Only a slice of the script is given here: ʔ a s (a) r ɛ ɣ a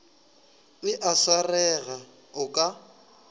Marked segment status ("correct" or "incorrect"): correct